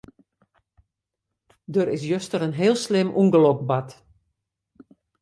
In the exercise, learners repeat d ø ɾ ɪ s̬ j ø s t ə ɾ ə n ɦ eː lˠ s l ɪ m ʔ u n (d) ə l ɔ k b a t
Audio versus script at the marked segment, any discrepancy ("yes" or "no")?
yes